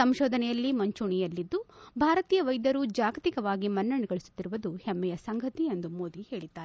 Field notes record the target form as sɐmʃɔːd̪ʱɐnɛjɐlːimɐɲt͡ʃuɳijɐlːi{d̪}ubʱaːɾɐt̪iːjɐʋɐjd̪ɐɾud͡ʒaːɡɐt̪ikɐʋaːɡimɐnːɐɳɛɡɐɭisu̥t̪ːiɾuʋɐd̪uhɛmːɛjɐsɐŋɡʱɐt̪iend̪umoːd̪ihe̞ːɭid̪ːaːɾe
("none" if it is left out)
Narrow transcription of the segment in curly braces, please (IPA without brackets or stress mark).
d̪ː